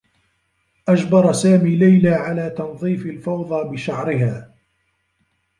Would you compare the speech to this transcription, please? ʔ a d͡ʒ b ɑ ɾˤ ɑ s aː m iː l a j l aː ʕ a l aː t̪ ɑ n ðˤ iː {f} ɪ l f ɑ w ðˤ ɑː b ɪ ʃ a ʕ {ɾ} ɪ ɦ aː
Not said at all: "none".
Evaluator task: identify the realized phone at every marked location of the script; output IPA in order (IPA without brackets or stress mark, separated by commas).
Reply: f, ɾ